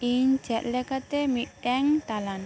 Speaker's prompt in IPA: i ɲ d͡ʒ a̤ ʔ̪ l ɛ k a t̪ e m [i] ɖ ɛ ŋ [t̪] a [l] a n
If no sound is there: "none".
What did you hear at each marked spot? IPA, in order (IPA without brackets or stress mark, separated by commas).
i, t̪, l